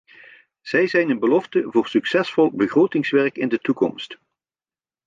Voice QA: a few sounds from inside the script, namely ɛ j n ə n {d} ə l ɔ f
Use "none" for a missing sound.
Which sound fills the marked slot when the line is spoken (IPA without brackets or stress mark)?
b